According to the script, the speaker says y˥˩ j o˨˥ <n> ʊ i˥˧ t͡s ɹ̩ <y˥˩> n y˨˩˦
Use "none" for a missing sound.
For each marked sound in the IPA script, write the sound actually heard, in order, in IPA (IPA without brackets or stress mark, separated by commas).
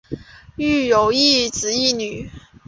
none, i˥˩